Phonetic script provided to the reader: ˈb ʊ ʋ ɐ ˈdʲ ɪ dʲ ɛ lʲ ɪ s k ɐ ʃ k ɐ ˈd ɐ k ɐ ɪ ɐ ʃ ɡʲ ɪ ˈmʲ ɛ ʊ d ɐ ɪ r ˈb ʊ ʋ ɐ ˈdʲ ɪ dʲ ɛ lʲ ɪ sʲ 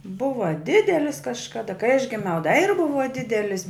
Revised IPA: ˈb ʊ ʋ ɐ ˈdʲ ɪ dʲ ɛ lʲ ɪ s k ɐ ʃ k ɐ ˈd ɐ k ɐ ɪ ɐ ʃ ɡʲ ɪ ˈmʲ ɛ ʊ d ɐ ɪ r ˈb ʊ ʋ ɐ ˈdʲ ɪ dʲ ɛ lʲ ɪ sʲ